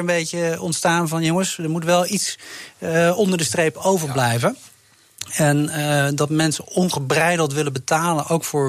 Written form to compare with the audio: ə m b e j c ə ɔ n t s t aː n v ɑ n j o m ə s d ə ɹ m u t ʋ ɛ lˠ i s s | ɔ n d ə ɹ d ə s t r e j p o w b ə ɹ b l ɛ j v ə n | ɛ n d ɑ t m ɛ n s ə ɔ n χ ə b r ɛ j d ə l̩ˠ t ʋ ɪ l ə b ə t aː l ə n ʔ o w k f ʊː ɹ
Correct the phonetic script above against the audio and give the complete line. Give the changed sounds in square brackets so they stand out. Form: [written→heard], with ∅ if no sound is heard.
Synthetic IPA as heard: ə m b e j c ə ɔ n t s t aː n v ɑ n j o [m→ŋ] ə s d ə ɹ m u t ʋ ɛ lˠ i [s→t] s | ɔ n d ə ɹ d ə s t r e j p o w [b→v] ə ɹ b l ɛ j v ə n | ɛ n d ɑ t m ɛ n s ə ɔ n χ ə b r ɛ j d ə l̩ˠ t ʋ ɪ l ə b ə t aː l ə n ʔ o w k f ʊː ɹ